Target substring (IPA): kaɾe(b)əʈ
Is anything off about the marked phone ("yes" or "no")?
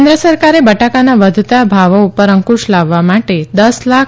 no